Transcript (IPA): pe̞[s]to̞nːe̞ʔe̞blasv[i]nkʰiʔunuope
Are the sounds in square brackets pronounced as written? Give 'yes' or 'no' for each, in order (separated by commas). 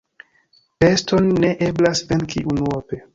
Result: yes, no